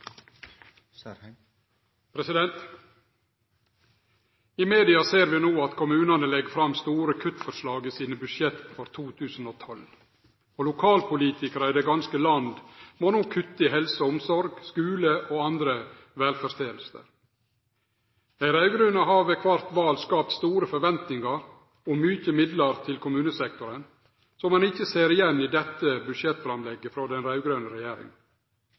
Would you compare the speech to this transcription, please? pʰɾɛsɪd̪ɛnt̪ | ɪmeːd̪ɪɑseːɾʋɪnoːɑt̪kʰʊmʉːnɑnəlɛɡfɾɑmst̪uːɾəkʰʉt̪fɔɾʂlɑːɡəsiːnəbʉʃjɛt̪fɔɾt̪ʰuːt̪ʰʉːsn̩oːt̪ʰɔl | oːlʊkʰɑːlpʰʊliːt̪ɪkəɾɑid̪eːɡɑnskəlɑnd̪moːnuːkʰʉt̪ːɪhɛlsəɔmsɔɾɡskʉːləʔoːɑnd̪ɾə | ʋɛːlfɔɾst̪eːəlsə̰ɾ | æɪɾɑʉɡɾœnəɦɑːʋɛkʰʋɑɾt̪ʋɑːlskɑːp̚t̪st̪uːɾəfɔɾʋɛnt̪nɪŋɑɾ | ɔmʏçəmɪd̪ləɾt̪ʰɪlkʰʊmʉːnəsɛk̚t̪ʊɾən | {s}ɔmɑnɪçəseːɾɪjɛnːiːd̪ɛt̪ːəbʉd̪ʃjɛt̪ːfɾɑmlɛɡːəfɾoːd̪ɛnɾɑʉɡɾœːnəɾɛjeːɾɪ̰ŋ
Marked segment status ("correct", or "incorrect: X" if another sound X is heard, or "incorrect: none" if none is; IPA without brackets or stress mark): correct